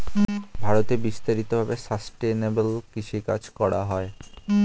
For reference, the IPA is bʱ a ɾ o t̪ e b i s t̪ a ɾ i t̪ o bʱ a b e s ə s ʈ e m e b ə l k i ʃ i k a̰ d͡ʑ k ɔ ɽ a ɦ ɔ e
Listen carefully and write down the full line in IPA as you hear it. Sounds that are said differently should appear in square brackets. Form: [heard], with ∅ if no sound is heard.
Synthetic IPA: bʱ a ɾ o t̪ e b i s t̪ a ɾ i t̪ o bʱ a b e s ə s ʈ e [n] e b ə l k i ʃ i k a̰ d͡ʑ k ɔ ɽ a ɦ ɔ e